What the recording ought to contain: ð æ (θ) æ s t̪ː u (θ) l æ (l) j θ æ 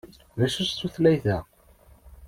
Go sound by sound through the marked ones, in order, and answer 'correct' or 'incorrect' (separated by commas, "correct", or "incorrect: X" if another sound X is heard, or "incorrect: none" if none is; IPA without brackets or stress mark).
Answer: incorrect: ʃ, correct, incorrect: none